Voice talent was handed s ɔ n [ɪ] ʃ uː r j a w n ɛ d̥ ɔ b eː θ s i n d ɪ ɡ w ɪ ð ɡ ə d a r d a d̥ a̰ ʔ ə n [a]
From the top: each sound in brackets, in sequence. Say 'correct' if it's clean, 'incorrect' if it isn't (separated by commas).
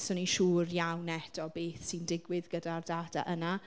incorrect, correct